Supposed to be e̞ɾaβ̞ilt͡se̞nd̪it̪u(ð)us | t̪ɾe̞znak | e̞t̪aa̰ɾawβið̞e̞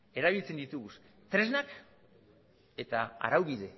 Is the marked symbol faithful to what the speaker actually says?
no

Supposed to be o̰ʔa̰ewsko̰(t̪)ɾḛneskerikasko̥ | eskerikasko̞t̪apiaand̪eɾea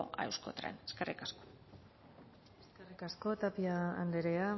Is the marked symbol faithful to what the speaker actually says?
yes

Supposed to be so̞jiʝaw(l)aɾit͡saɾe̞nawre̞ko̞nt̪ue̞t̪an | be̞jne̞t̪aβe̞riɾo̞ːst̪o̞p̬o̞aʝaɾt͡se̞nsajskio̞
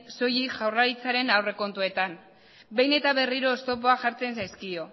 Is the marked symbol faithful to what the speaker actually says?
no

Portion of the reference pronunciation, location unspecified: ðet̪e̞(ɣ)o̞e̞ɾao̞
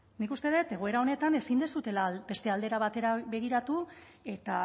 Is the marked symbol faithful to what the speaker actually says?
yes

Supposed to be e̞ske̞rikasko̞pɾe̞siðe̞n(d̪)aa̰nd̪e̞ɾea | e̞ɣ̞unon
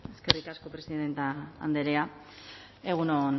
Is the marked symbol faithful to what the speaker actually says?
no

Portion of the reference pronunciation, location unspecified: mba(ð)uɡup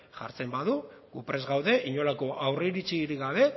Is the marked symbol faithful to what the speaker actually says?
yes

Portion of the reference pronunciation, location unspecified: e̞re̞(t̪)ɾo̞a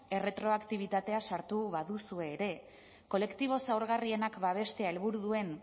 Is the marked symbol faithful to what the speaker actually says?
yes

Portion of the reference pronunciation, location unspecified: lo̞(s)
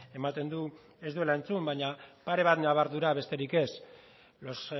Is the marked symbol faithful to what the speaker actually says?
yes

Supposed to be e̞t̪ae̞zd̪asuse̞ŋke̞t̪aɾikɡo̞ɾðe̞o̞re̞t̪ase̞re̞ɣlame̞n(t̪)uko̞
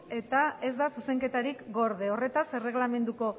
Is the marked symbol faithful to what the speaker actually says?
no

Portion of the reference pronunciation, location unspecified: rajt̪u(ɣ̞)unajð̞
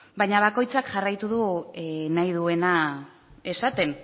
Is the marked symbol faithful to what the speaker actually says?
no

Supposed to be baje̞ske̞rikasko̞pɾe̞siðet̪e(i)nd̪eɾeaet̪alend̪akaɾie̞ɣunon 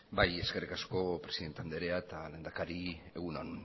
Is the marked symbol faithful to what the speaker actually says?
no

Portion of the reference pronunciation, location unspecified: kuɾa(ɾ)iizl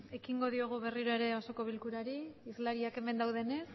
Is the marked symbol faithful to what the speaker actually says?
yes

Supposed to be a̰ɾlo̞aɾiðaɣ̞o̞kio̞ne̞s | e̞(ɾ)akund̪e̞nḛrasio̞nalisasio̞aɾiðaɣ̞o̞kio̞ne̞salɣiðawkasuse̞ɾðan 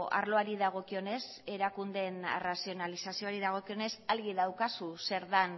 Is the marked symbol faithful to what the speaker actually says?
yes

